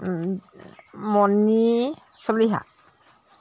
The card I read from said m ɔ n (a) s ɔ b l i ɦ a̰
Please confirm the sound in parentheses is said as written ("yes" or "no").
no